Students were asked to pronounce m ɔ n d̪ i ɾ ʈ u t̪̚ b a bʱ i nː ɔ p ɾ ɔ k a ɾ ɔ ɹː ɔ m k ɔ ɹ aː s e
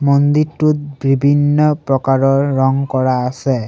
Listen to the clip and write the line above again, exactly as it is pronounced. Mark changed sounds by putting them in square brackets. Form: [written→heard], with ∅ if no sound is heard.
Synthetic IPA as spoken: m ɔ n d̪ i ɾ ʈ u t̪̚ b [a→i] bʱ i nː ɔ p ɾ ɔ k a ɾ ɔ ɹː ɔ [m→ŋ] k ɔ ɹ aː s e